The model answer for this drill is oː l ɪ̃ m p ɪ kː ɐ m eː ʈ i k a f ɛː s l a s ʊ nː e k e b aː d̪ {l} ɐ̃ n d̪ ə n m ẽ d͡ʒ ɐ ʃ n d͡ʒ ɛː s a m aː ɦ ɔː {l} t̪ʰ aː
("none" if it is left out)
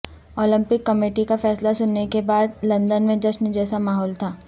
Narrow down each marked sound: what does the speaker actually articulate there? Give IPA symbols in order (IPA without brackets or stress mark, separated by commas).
l, l